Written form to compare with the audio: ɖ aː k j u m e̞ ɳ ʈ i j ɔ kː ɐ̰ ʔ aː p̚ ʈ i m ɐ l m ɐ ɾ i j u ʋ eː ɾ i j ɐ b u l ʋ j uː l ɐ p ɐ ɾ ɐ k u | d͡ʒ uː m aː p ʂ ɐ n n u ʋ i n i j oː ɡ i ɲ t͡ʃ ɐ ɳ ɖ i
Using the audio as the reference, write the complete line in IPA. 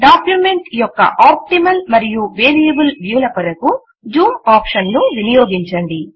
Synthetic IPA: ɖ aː k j u m e̞ ɳ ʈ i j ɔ kː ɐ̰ ʔ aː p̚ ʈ i m ɐ l m ɐ ɾ i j u ʋ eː ɾ i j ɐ b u l ʋ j uː l ɐ p ɐ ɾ ɐ k u | d͡ʒ uː m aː p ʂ ɐ n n u ʋ i n i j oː ɡ i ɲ t͡ʃ ɐ ɳ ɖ i

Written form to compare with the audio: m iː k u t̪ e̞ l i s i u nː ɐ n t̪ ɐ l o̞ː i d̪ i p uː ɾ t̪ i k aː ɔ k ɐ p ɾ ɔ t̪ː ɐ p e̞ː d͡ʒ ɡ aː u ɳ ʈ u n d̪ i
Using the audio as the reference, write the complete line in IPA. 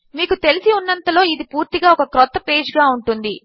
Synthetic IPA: m iː k u t̪ e̞ l i s i u nː ɐ n t̪ ɐ l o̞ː i d̪ i p uː ɾ t̪ i ɡ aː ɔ k ɐ k ɾ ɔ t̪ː ɐ p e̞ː d͡ʒ ɡ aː u ɳ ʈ u n d̪ i

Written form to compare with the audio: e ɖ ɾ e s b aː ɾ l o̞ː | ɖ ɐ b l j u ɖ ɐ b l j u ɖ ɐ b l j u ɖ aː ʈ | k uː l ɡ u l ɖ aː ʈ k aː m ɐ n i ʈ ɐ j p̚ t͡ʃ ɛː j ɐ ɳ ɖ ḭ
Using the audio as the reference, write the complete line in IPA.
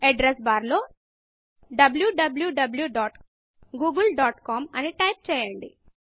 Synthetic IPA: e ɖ ɾ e s b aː ɾ l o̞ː | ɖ ɐ b l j u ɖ ɐ b l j u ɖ ɐ b l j u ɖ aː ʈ | ɡ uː ɡ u l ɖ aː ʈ k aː m ɐ n i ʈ ɐ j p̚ t͡ʃ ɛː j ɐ ɳ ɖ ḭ

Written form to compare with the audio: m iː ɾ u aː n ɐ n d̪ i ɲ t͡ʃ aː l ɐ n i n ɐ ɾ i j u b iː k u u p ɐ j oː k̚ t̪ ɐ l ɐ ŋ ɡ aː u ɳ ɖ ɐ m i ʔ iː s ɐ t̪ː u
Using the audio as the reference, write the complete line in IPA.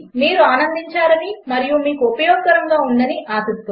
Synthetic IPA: m iː ɾ u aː n ɐ n d̪ i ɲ t͡ʃ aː ɾ ɐ n i m ɐ ɾ i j u m iː k u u p ɐ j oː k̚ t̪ ɐ ɾ ɐ ŋ ɡ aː u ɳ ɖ ɐ n i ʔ aː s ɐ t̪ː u

